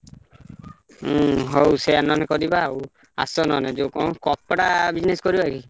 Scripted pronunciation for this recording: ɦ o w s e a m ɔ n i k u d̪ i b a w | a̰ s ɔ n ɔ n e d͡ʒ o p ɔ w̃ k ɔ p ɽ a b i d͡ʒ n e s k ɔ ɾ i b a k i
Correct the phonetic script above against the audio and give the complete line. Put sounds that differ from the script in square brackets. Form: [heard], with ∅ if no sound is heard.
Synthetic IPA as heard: ɦ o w s e a [n] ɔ n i k [ɔ] d̪ i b a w | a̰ s ɔ n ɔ n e d͡ʒ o [k] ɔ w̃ k ɔ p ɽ a b i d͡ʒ n e s k ɔ ɾ i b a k i

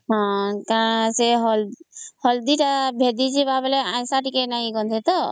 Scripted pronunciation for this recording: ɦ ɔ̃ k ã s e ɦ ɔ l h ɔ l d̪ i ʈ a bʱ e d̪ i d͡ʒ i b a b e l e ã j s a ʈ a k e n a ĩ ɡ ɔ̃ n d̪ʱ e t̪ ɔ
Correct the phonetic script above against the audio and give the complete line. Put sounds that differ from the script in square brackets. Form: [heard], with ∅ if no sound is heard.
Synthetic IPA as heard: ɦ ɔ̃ k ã s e ɦ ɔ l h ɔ l d̪ i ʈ a bʱ e d̪ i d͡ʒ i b a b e l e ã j s a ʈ [i] k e n a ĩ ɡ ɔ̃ n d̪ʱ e t̪ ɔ

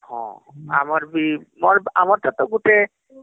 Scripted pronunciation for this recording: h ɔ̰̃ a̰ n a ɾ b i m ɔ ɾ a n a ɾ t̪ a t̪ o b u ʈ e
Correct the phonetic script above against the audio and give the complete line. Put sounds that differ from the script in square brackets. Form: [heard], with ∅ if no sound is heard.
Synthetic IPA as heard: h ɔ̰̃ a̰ [m] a ɾ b i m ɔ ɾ a [m] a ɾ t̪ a t̪ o [ɡ] u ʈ e

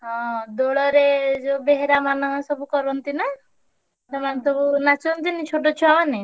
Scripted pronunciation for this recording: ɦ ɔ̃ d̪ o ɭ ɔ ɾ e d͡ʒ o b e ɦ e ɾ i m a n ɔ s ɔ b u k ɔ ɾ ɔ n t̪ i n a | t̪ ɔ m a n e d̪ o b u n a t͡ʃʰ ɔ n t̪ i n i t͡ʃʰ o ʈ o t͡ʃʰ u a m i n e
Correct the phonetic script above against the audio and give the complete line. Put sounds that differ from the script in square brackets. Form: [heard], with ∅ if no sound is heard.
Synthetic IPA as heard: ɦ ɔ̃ d̪ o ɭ ɔ ɾ e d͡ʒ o b e ɦ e ɾ [a] m a n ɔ s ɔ b u k ɔ ɾ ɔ n t̪ i n a | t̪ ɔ m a n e [t̪] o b u n a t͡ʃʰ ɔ n t̪ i n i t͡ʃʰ o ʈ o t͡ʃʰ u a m [a] n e

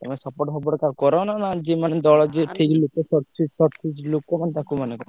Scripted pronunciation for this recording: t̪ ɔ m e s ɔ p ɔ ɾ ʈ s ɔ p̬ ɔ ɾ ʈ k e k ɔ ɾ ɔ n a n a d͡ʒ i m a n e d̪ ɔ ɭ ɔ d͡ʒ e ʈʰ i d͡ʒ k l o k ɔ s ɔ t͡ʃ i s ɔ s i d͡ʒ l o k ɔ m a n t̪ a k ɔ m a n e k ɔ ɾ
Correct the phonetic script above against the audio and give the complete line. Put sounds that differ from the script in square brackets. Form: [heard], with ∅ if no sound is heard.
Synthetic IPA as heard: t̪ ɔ m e s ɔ p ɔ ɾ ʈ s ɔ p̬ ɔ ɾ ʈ k [a] k ɔ ɾ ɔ n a n a d͡ʒ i m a n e d̪ ɔ ɭ ɔ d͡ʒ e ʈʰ i [∅] k l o k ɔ s ɔ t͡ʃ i s ɔ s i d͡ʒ l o k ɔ m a n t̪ a k [u] m a n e k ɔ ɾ

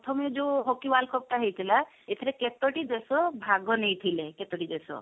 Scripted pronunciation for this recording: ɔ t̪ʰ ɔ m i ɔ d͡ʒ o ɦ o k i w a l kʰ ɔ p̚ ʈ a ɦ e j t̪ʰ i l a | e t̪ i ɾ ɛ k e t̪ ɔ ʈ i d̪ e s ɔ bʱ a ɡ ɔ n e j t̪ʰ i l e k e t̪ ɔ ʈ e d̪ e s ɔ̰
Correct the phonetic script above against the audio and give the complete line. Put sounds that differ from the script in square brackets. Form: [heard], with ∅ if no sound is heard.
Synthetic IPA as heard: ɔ t̪ʰ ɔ m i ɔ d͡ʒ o ɦ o k i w a l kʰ ɔ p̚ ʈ a ɦ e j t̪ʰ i l a | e [t̪ʰ] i ɾ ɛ k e t̪ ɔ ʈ i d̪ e s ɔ bʱ a ɡ ɔ n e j t̪ʰ i l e k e t̪ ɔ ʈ [i] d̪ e s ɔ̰

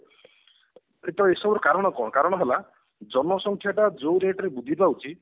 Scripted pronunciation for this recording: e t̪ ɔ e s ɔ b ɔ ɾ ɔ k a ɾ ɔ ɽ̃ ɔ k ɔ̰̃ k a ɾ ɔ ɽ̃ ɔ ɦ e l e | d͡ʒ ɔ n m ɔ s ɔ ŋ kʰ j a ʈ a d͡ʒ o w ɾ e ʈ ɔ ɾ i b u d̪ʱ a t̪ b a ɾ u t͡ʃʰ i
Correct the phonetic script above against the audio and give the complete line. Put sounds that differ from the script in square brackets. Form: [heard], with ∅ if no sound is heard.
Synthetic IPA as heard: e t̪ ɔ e s ɔ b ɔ ɾ ɔ k a ɾ ɔ ɽ̃ ɔ k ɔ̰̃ k a ɾ ɔ ɽ̃ ɔ ɦ e l [a] | d͡ʒ ɔ n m ɔ s ɔ ŋ kʰ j a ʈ a d͡ʒ o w ɾ e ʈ ɔ ɾ [e] b u d̪ʱ [i] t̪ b a [∅] u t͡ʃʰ i

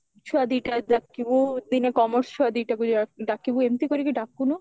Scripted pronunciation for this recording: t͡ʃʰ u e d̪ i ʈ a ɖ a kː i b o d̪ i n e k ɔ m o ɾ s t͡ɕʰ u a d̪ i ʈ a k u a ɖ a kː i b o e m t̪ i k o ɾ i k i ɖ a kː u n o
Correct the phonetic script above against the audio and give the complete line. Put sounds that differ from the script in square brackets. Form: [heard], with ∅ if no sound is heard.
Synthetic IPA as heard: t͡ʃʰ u [a] d̪ i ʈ a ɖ a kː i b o d̪ i n e k ɔ m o ɾ s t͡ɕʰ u a d̪ i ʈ a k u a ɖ a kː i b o e m t̪ i k o ɾ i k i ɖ a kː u n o

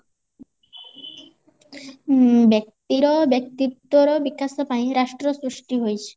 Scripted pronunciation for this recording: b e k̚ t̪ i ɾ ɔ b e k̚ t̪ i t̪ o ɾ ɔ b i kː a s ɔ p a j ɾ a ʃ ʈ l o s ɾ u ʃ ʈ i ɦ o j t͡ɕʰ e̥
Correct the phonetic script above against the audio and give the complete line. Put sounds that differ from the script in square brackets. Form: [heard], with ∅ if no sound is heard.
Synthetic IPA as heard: b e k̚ t̪ i ɾ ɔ b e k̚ t̪ i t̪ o ɾ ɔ b i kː a s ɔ p a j ɾ a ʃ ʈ [ɾ] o s ɾ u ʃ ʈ i ɦ o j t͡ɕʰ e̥

